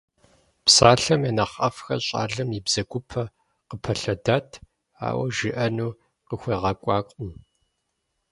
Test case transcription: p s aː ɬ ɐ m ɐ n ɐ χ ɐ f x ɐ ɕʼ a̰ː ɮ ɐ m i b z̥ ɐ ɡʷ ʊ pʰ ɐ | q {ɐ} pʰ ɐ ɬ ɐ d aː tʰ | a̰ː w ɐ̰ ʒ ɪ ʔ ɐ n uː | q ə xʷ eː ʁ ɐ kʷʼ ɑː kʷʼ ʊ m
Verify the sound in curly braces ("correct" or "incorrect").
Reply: incorrect